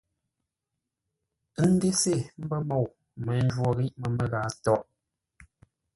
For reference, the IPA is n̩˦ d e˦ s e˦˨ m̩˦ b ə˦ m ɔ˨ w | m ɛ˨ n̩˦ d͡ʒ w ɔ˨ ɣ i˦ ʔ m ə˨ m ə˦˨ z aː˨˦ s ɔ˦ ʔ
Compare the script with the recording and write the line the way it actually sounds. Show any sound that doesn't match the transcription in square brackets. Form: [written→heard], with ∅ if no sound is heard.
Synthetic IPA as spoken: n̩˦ d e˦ s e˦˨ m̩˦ b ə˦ m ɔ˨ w | m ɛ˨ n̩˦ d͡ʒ w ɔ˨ ɣ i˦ ʔ m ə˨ m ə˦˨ [z→ɣ] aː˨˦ [s→t] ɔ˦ ʔ

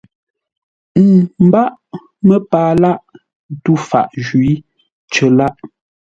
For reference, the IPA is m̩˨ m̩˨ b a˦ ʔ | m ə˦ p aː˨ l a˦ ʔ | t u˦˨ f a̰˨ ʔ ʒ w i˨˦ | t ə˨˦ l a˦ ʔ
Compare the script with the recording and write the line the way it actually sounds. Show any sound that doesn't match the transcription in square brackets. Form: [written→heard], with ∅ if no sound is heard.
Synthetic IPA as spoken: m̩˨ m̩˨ b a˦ ʔ | m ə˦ p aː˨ l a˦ ʔ | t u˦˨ f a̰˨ ʔ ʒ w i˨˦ | [t→t͡ʃ] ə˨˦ l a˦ ʔ

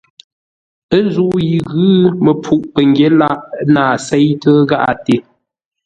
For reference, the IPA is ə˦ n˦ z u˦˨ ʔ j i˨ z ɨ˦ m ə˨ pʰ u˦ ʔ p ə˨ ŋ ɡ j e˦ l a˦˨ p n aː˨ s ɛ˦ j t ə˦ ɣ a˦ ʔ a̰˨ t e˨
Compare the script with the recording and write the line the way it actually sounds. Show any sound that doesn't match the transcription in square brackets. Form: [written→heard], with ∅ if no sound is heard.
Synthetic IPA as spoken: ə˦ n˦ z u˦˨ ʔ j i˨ [z→ɣ] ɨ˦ m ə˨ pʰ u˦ ʔ p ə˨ ŋ ɡ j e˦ l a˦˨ [p→ʔ] n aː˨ s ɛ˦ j t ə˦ ɣ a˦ ʔ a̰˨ t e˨

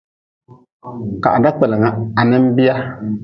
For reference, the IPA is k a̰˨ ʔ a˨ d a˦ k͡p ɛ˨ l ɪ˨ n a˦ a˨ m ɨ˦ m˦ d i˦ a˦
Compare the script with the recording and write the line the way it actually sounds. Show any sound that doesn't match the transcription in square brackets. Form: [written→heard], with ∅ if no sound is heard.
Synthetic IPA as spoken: k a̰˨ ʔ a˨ d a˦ k͡p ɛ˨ l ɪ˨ [n→ŋ] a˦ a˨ [m→n] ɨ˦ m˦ [d→b] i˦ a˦

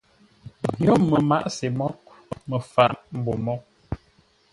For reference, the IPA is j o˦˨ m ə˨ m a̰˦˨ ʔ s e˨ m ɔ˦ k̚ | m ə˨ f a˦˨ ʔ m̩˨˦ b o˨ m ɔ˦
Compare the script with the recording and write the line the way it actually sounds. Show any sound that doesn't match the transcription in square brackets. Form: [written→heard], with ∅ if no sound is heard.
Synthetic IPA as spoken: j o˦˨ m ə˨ m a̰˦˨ ʔ s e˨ m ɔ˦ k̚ | m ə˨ f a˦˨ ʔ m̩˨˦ b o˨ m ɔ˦

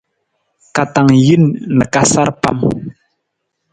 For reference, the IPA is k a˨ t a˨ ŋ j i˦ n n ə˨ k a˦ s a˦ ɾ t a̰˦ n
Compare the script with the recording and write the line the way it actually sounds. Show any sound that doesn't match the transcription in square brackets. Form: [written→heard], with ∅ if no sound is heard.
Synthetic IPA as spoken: k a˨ t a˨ ŋ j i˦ n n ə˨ k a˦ s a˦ ɾ [t→p] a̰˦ [n→m]

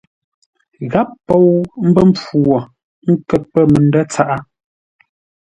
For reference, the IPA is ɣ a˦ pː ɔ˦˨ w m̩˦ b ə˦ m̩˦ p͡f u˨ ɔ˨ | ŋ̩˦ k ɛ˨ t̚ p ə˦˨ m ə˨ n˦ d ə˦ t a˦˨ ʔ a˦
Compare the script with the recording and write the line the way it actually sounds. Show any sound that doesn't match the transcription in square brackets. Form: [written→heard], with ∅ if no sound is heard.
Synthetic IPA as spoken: ɣ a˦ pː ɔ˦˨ w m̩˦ b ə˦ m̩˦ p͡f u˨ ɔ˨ | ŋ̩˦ k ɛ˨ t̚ p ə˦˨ m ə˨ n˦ d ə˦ [t→t͡s] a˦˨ ʔ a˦

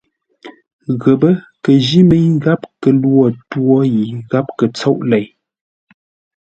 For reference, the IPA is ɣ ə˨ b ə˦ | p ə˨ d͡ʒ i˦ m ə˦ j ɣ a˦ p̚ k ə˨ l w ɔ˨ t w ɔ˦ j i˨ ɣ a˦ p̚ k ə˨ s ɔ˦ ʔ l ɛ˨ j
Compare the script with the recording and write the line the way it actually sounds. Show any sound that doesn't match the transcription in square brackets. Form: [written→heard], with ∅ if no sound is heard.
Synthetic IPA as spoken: ɣ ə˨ b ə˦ | [p→k] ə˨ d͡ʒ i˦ m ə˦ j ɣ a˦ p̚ k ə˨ l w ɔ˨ t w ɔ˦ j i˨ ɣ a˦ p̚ k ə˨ [s→t͡s] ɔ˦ ʔ l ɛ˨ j

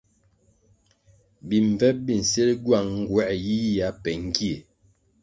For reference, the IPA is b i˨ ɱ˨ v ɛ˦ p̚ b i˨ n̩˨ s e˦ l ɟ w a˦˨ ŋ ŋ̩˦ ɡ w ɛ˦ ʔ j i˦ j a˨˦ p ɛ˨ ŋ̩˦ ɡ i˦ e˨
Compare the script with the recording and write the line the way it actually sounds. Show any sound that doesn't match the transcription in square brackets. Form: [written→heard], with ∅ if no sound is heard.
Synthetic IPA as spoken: b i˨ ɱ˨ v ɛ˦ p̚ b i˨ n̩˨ s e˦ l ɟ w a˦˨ ŋ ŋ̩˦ ɡ w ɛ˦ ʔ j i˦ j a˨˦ p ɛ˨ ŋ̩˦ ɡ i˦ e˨

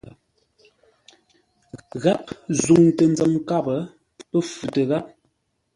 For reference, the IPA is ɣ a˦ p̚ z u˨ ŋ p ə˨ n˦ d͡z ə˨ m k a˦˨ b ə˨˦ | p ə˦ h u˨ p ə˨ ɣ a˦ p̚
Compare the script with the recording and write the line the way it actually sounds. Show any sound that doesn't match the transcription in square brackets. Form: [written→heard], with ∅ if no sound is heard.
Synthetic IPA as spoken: ɣ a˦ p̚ z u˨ ŋ [p→t] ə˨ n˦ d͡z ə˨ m k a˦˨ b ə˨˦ | p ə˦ [h→f] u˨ [p→t] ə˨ ɣ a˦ p̚

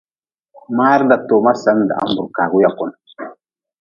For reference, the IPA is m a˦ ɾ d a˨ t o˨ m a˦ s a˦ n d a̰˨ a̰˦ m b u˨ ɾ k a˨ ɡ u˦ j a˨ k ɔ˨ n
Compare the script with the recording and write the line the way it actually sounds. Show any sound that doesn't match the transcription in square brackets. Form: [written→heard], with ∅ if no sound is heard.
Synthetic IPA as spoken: m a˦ ɾ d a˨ t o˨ m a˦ s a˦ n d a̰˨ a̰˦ m b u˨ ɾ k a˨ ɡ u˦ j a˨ k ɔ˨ n

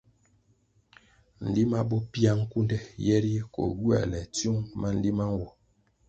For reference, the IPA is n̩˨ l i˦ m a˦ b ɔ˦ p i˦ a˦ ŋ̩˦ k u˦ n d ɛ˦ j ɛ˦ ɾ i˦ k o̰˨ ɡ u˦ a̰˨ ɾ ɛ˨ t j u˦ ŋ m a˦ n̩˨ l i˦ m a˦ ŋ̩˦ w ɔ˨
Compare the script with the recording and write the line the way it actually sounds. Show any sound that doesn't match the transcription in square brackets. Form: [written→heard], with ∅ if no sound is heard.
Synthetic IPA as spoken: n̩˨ l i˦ m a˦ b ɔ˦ p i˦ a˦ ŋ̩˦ k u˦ n d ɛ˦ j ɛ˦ ɾ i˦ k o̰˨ ɡ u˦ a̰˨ [ɾ→l] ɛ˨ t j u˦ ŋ m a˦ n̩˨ l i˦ m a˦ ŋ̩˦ w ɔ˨

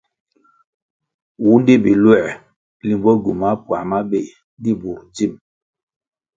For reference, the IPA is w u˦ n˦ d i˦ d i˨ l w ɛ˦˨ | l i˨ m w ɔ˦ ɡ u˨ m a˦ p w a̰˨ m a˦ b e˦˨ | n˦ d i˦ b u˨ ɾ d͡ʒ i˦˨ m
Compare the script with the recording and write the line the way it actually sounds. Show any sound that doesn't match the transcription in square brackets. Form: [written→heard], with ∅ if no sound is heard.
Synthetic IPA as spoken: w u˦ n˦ d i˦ [d→b] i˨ l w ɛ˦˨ | l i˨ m [w→b] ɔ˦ ɡ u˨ m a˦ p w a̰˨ m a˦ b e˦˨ | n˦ d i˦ b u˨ ɾ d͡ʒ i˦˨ m

